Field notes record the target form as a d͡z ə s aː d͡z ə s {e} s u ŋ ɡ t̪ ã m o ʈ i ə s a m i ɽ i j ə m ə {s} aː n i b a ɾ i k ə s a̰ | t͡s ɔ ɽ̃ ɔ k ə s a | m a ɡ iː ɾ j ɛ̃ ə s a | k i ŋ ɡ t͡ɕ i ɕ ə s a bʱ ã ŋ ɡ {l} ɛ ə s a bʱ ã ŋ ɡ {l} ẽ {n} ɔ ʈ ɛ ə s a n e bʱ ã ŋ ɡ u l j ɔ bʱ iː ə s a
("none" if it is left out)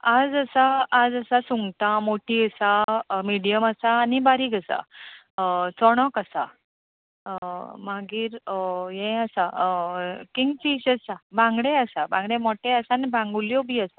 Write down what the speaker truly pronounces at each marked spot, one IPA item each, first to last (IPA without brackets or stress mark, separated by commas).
a, s, ɽ, ɽ, m